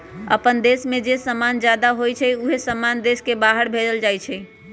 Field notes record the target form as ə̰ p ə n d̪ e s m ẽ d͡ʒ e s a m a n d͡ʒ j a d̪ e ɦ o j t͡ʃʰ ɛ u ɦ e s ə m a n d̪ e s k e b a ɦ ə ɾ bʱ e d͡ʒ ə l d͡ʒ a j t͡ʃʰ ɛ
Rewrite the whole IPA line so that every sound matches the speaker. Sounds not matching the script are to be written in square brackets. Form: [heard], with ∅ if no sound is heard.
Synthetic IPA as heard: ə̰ p ə n d̪ e s m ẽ d͡ʒ e s [ə] m a n d͡ʒ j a d̪ [a] ɦ o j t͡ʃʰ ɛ u ɦ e s ə m a n d̪ e s k e b a ɦ ə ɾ bʱ e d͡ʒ ə l d͡ʒ a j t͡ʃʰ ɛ